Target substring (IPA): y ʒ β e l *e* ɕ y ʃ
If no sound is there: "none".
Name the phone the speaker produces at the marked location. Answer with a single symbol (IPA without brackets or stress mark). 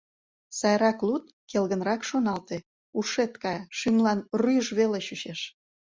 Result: e